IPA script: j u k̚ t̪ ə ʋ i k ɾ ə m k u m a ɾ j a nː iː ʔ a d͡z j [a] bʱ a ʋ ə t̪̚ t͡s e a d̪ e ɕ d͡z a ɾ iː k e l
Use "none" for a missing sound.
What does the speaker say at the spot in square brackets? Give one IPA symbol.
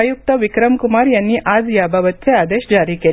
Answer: a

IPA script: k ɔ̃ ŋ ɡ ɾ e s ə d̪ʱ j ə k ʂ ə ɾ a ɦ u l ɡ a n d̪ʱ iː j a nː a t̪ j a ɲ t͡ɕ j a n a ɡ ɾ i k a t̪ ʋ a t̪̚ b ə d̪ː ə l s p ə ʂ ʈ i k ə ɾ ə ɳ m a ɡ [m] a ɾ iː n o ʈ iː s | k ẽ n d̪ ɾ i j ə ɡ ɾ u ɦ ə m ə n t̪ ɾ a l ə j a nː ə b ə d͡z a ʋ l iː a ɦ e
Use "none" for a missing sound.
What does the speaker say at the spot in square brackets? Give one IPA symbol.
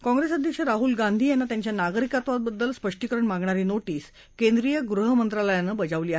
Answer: ɳ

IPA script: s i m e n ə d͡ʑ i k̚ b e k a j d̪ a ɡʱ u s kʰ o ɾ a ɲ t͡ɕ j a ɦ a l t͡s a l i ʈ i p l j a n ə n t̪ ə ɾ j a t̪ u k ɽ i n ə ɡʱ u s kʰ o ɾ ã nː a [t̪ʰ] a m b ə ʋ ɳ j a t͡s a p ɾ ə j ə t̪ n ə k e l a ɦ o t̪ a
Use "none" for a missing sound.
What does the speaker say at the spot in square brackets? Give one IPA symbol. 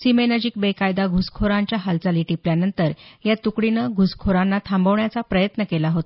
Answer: t̪ʰ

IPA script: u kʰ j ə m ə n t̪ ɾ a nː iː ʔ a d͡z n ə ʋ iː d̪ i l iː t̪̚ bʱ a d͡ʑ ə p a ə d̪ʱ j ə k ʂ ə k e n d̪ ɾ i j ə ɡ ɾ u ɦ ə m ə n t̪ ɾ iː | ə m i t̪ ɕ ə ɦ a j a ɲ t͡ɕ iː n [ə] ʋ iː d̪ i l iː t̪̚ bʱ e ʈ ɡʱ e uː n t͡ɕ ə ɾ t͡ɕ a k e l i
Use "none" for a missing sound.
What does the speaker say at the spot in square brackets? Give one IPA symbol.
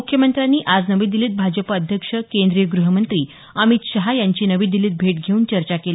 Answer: ə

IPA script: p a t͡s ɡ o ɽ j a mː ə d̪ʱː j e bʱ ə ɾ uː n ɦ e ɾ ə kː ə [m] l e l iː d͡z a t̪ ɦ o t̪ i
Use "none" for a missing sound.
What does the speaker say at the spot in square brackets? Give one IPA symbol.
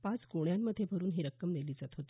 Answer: m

